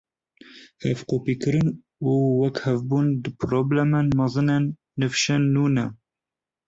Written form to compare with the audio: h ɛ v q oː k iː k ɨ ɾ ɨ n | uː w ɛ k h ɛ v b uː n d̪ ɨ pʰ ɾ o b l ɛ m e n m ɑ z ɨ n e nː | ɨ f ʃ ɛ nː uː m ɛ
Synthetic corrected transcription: h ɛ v q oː p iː k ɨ ɾ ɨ n | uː w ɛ k h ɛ v b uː n d̪ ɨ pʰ ɾ o b l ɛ m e n m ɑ z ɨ n e nː | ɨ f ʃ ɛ nː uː n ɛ